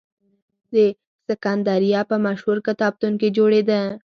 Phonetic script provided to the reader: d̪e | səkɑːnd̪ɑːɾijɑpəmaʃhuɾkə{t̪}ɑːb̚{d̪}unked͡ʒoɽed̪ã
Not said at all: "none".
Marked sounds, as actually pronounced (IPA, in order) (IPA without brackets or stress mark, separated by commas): t̪, t̪